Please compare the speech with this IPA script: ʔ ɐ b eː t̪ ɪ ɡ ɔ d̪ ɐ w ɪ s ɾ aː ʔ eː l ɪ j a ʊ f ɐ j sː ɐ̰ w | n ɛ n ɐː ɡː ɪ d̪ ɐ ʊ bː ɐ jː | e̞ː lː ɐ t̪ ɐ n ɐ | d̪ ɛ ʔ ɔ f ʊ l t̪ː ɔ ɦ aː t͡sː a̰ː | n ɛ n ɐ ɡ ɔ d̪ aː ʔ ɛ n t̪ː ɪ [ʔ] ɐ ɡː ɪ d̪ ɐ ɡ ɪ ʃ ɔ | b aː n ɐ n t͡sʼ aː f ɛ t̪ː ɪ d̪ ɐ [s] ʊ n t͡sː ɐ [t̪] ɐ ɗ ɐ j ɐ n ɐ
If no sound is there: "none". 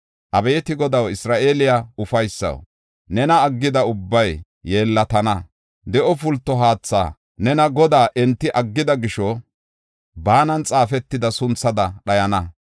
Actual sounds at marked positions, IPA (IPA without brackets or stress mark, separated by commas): ʔ, s, d̪